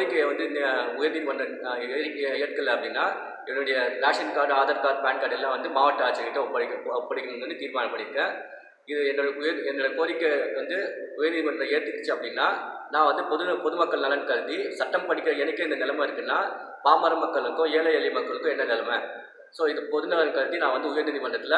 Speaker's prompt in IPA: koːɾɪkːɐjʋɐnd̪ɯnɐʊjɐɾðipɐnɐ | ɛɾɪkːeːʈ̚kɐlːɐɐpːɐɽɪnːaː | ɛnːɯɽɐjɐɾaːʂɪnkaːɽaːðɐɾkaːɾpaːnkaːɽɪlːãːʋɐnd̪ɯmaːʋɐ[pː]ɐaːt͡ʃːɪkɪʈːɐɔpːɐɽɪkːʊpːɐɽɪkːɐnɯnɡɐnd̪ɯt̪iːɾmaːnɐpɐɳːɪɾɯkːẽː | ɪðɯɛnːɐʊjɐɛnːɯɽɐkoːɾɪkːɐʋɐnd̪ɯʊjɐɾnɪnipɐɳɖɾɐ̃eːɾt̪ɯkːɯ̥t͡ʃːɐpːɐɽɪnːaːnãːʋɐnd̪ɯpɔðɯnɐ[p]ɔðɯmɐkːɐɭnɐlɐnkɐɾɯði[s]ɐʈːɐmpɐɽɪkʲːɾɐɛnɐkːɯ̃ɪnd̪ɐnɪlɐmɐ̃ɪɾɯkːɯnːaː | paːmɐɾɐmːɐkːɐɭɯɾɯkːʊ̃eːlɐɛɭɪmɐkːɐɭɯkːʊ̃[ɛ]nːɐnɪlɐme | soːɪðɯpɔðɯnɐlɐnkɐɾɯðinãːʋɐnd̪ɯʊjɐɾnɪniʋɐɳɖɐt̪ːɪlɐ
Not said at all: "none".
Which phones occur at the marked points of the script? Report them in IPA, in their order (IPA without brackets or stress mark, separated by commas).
ʈː, p, s, ɛ